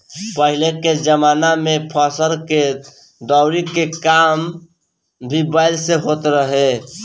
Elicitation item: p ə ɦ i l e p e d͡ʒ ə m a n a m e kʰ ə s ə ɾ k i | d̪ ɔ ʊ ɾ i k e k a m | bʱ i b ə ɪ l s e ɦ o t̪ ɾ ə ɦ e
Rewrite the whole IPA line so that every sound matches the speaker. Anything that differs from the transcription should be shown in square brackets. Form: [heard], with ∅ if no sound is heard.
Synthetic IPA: p ə ɦ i l e [k] e d͡ʒ ə m a n a m e [pʰ] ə s ə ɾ k [e] | d̪ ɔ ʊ ɾ i k e k a m | bʱ i b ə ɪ l s e ɦ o t̪ ɾ ə ɦ e